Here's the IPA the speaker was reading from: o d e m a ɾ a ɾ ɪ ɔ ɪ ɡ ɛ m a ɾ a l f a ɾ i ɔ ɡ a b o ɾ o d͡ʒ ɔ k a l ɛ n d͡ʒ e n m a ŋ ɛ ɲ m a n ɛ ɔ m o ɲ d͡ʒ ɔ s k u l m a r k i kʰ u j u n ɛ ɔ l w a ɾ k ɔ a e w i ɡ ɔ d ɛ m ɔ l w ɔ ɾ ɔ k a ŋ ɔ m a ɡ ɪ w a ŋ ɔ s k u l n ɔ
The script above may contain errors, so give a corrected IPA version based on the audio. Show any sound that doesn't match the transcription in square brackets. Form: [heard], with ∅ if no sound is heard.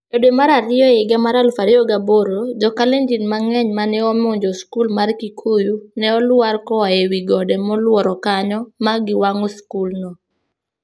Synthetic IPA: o d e m a ɾ a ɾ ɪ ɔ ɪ ɡ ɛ m a ɾ a l f a ɾ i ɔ ɡ a b o ɾ o d͡ʒ ɔ k a l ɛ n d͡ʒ [i] n m a ŋ ɛ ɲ m a n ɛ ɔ m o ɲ d͡ʒ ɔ s k u l m a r k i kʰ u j u n ɛ ɔ l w a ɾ k ɔ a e w i ɡ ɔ d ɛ m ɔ l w ɔ ɾ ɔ k a [ɲ] ɔ m a ɡ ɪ w a ŋ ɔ s k u l n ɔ